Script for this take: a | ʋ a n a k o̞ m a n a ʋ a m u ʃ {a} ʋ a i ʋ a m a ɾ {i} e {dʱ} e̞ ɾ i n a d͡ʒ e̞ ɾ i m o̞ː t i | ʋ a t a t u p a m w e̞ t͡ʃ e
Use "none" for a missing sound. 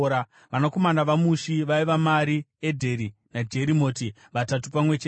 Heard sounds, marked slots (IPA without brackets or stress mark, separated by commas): i, i, dʱ